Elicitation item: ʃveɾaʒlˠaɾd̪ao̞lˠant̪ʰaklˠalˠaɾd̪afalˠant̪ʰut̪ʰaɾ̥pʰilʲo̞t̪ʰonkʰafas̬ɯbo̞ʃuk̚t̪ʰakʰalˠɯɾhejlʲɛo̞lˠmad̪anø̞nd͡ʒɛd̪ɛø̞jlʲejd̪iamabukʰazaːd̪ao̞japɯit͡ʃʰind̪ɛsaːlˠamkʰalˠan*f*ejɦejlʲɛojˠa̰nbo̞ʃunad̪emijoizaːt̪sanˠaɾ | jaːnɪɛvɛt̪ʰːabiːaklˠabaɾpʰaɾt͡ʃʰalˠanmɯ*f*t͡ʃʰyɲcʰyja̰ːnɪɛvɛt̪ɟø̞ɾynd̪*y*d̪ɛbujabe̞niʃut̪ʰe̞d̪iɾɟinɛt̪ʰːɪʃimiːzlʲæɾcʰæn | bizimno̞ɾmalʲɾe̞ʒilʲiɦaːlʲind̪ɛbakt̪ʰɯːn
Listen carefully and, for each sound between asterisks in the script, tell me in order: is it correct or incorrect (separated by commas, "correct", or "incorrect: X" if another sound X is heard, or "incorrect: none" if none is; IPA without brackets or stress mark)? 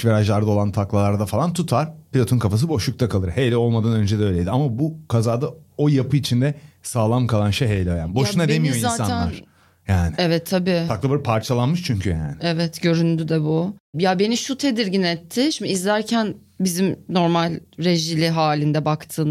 incorrect: ʃ, incorrect: ʃ, correct